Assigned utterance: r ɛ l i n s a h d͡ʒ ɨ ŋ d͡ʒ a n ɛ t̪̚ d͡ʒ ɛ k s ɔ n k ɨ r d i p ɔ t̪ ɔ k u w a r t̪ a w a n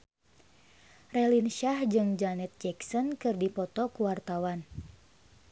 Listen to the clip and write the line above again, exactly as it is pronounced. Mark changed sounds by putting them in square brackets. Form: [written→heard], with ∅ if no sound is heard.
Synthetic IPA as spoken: r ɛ l i n [s→ʃ] a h d͡ʒ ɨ ŋ d͡ʒ a n ɛ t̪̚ d͡ʒ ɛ k s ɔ n k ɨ r d i p ɔ t̪ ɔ k u w a r t̪ a w a n